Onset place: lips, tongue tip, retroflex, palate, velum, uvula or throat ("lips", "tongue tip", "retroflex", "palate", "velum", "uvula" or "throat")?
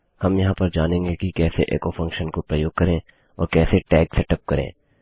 throat